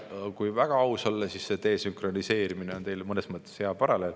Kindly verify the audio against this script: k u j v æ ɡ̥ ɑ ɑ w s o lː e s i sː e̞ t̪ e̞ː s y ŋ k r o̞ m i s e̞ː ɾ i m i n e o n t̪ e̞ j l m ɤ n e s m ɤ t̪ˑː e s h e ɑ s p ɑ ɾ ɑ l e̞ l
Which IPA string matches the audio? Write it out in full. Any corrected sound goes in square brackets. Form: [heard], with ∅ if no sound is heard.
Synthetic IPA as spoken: k u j v æ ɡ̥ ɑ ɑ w s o lː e s i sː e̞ t̪ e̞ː s y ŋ k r o̞ [n] i s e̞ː ɾ i m i n e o n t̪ e̞ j l m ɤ n e s m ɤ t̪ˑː e s h e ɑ [∅] p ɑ ɾ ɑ l e̞ l